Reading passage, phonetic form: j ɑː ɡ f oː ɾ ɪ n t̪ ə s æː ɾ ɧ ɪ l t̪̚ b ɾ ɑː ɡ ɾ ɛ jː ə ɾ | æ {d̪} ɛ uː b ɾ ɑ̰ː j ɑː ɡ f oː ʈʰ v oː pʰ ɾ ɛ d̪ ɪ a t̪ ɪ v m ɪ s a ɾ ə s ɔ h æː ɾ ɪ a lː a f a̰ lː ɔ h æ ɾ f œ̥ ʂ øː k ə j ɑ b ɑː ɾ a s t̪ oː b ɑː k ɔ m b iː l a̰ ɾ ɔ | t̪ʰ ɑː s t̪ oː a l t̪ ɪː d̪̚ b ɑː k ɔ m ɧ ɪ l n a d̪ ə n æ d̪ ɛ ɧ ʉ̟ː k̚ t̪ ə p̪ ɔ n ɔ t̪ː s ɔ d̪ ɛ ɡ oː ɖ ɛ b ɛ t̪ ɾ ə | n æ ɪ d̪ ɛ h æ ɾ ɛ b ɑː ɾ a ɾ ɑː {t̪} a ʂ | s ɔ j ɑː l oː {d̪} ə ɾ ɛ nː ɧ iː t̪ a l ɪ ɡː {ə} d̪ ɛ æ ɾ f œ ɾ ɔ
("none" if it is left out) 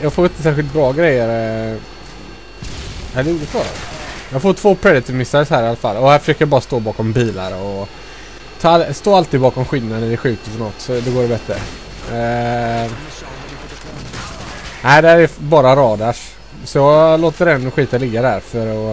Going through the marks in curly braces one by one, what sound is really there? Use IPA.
d̪, d̪, t̪, a

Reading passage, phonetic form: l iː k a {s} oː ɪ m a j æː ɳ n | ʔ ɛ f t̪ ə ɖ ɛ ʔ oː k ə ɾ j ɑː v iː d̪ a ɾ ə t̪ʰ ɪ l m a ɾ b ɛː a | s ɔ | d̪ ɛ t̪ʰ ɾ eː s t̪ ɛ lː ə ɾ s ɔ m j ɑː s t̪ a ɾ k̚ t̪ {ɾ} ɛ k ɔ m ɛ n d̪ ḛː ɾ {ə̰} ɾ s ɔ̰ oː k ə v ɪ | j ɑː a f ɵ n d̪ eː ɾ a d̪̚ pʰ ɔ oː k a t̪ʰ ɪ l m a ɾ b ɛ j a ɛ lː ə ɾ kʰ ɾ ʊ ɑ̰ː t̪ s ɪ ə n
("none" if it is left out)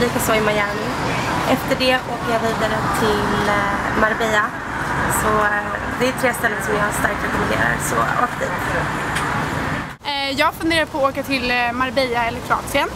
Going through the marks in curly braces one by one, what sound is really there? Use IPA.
s, ɾ, a̰

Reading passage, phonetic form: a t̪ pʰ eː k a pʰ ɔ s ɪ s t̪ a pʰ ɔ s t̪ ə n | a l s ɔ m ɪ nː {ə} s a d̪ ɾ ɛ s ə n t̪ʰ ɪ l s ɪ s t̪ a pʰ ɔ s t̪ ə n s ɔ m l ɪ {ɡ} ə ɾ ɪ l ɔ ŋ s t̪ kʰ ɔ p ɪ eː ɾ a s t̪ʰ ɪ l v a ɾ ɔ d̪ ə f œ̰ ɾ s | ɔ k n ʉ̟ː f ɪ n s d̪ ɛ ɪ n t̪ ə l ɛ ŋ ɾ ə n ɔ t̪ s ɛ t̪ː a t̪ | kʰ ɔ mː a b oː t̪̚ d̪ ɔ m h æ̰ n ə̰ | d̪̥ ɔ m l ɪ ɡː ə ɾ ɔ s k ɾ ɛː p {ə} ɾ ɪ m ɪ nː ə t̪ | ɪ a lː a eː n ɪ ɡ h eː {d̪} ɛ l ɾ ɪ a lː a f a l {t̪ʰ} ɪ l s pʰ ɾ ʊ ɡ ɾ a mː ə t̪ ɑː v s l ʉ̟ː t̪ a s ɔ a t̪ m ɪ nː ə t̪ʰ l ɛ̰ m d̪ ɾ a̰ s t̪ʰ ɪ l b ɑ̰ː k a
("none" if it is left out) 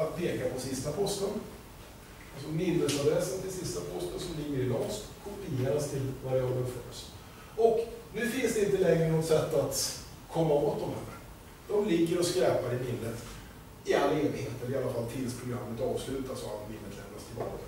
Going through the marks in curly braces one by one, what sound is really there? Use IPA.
ə, ɡː, a, t̪, t̪ʰ

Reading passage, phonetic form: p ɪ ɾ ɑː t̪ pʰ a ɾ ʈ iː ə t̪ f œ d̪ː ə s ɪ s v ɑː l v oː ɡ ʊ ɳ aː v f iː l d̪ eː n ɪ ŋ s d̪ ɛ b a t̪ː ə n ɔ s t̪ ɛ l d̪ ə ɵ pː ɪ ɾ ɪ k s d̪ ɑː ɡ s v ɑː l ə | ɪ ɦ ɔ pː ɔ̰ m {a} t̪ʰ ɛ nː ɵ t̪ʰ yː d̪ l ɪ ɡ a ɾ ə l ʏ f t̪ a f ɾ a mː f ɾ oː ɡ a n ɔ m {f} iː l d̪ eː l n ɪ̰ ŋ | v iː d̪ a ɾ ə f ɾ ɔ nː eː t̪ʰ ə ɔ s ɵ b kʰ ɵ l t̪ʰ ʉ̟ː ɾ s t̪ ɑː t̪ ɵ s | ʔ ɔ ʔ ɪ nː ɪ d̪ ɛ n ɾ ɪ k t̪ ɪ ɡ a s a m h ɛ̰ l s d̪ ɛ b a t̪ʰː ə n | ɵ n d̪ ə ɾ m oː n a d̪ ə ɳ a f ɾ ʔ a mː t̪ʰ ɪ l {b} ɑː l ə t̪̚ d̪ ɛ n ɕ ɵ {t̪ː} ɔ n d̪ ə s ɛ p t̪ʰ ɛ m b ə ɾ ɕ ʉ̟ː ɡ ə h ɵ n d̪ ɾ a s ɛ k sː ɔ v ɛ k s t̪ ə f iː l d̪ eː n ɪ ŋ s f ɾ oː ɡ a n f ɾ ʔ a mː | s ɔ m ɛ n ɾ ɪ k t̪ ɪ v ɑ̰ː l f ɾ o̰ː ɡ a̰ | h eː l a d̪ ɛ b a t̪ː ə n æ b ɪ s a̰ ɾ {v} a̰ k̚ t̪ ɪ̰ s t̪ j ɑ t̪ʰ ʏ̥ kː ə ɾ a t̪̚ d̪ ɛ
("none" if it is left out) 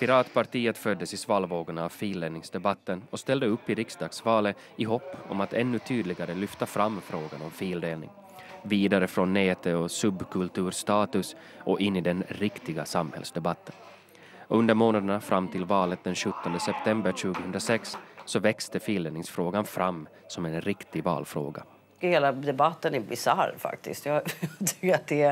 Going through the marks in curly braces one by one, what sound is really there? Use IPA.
a, f, v, t̪ː, f

